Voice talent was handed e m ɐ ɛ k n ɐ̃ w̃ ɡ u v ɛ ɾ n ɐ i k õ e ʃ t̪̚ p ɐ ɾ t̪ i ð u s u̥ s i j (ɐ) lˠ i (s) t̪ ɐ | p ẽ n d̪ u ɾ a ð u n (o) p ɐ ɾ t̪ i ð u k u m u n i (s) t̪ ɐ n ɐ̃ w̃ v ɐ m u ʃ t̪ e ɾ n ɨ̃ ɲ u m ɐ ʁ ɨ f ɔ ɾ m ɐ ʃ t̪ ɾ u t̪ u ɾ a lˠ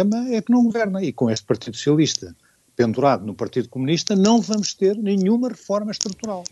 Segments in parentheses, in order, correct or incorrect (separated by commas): correct, incorrect, incorrect, incorrect